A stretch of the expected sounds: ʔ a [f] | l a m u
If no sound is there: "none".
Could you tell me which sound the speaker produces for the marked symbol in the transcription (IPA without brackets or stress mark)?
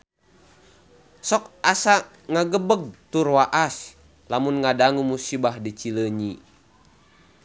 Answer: s